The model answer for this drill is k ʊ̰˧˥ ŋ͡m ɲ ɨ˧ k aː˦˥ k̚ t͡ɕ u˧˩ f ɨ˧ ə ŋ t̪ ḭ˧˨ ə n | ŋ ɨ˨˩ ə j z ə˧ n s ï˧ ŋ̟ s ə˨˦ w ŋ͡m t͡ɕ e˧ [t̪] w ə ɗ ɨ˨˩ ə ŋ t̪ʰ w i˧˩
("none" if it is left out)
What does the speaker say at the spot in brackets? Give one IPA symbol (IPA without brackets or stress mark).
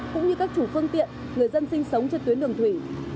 t̪